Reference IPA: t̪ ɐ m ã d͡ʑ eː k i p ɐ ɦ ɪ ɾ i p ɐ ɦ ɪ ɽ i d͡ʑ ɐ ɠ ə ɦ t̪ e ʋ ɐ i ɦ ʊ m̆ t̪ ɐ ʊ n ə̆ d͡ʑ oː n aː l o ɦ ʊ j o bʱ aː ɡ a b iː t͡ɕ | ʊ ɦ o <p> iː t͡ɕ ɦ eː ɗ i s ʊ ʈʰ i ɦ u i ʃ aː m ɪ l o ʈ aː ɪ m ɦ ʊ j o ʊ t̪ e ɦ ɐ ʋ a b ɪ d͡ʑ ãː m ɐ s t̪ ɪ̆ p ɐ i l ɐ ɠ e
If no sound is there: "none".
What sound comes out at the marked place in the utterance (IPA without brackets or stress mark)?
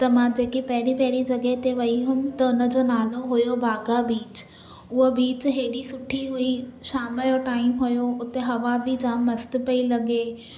b